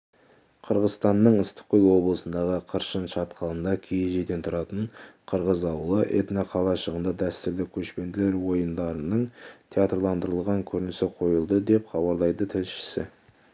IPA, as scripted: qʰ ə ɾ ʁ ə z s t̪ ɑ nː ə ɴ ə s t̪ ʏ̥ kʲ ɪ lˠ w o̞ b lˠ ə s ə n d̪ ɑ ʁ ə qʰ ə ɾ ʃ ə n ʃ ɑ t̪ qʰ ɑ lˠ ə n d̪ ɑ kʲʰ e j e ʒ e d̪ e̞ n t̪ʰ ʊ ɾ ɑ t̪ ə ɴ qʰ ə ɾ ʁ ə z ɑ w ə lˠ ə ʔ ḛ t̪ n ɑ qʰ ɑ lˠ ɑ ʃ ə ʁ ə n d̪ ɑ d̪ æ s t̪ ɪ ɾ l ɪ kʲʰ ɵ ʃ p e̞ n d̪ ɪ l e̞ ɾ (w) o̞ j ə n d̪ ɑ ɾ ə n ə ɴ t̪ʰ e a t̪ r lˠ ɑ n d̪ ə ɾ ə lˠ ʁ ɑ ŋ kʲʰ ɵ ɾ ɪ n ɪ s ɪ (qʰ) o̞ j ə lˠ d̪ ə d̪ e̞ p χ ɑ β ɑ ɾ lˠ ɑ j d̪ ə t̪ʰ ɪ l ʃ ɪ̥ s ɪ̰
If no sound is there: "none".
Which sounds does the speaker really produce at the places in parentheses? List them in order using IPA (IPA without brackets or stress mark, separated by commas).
w, qʰ